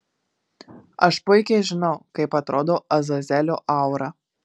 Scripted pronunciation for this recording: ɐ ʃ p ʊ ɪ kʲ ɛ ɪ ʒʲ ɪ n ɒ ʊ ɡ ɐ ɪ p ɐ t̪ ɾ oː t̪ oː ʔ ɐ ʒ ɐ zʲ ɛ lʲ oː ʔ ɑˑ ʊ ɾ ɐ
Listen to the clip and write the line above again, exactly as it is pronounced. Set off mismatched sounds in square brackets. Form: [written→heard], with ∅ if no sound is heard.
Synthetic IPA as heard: ɐ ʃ p ʊ ɪ kʲ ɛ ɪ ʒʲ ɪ n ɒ ʊ [ɡ→k] ɐ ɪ p ɐ t̪ ɾ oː [t̪→d̪] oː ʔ ɐ [ʒ→z] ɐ zʲ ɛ lʲ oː ʔ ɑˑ ʊ ɾ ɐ